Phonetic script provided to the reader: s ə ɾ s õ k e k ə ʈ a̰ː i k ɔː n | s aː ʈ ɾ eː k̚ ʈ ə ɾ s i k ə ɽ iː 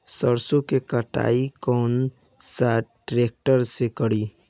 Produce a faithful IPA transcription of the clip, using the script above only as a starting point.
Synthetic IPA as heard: s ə ɾ s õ k e k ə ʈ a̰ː i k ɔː n | s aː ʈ ɾ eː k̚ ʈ ə ɾ s e k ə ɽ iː